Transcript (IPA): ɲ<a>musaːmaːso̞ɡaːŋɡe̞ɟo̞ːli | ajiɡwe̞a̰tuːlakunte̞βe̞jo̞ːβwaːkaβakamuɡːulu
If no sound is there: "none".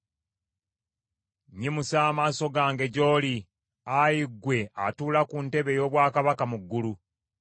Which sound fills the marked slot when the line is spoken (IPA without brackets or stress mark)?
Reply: i